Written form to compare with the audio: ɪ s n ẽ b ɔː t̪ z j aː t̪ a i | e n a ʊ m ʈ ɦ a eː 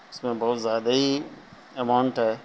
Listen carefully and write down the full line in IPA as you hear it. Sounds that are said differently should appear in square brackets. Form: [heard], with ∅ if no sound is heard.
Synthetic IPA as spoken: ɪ s [m] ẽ b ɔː t̪ z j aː [d̪] a i | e [m] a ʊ [ɳ] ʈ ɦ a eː